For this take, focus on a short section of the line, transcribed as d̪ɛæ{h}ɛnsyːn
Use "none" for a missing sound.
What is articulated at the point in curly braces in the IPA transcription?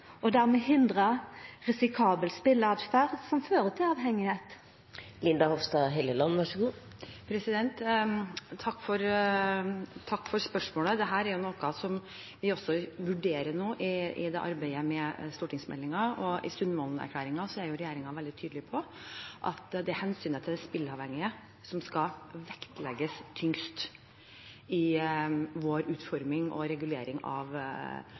h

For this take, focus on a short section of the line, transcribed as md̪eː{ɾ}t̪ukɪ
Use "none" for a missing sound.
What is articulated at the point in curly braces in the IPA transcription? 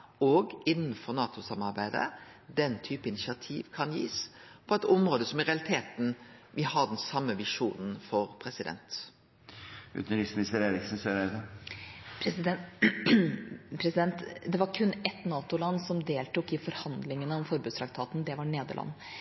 l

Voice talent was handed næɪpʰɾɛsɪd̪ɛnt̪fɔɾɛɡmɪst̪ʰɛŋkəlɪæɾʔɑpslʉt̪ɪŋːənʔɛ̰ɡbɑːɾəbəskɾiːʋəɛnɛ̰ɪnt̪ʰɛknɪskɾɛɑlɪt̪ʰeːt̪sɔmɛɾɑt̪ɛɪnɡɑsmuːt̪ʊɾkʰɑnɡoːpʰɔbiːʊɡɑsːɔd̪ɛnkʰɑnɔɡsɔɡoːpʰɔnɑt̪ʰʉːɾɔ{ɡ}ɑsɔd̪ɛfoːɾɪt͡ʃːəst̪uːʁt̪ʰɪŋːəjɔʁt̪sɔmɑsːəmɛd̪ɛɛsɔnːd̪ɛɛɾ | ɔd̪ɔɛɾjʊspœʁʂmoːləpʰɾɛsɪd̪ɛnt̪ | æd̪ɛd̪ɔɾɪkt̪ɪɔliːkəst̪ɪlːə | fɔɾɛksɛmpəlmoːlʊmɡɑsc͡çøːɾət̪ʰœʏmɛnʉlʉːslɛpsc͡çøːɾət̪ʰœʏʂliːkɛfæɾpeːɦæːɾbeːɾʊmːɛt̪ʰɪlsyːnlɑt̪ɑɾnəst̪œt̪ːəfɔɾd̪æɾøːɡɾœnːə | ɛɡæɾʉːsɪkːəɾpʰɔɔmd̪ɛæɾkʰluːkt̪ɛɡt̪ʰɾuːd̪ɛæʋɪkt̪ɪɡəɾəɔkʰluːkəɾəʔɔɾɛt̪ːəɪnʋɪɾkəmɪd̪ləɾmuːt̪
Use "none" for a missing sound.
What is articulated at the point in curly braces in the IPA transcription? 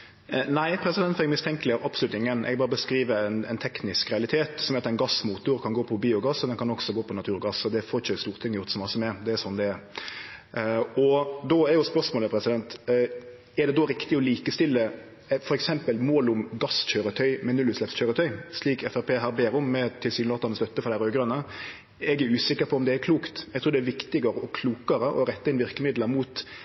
ɡ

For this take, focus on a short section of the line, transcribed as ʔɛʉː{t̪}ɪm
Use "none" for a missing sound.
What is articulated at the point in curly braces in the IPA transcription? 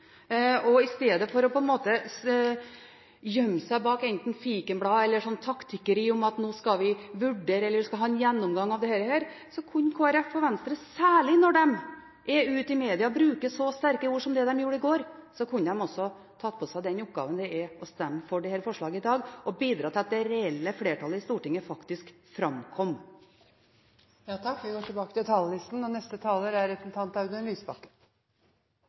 t̪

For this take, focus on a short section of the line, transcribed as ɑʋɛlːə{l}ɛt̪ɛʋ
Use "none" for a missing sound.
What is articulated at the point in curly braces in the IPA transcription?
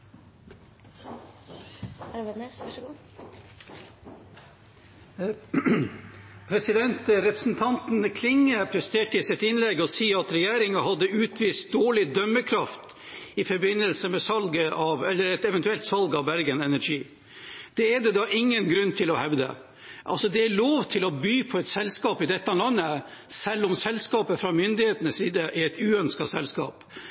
ɾ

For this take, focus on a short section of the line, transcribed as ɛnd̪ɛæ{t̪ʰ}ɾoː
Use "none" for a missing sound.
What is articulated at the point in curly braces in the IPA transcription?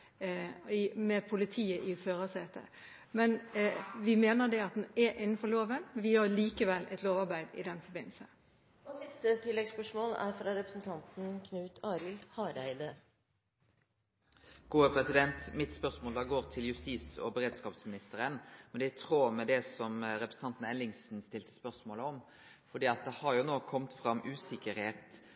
t̪ʰ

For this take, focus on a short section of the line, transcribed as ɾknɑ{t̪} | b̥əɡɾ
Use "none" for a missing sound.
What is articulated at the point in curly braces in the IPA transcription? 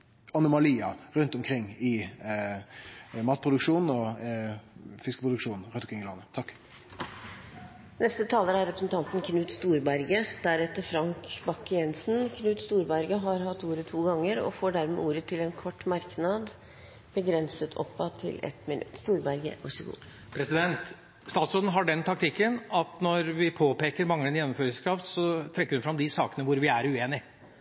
d̪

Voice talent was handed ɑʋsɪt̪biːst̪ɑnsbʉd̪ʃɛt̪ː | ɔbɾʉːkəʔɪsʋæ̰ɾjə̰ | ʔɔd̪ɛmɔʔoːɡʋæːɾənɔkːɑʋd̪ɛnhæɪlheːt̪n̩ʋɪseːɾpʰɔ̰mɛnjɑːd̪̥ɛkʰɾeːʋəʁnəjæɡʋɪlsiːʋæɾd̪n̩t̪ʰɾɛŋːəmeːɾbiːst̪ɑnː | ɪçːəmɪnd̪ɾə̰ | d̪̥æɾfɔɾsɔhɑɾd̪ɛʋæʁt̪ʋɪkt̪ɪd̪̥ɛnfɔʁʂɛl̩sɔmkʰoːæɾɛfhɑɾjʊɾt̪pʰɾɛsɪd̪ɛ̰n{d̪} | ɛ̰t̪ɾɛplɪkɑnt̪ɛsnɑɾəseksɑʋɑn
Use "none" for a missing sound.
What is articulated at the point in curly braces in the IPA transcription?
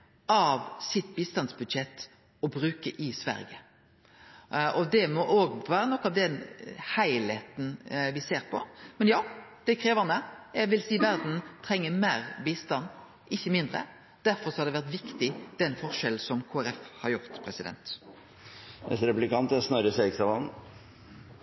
t̪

